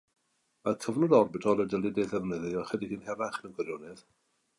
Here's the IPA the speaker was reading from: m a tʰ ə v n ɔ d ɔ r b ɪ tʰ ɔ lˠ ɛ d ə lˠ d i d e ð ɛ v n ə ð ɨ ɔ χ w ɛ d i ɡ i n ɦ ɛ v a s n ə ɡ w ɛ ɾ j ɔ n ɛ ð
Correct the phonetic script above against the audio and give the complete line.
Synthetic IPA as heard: m a kʰ ə v n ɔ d ɔ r b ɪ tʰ ɔ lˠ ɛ d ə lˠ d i d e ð ɛ v n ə ð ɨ ɔ χ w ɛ d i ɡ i n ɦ ɛ v a χ n ə ɡ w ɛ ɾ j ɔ n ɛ ð